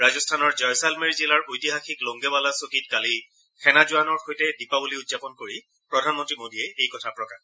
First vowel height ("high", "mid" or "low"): low